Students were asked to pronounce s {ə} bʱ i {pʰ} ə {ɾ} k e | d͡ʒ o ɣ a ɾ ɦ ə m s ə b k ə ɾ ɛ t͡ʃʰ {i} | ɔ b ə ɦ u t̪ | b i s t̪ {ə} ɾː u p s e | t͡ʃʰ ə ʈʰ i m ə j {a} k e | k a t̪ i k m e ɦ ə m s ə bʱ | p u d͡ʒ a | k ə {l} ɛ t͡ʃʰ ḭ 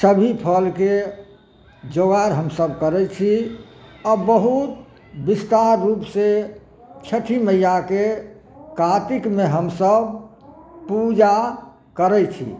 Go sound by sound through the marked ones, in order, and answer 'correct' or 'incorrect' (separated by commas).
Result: correct, correct, incorrect, correct, incorrect, correct, incorrect